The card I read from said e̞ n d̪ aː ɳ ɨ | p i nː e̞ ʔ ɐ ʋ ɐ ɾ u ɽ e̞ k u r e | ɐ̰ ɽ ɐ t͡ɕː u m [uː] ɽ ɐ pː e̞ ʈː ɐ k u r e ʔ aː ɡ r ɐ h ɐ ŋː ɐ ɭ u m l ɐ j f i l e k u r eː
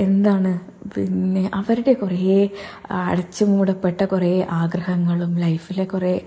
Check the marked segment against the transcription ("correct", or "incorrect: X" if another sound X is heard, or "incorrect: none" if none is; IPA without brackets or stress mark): correct